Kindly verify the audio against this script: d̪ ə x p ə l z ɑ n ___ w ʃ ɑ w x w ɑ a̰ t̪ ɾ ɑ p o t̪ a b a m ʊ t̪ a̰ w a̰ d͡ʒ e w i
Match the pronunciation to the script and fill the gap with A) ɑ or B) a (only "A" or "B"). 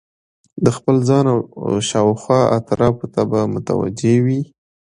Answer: B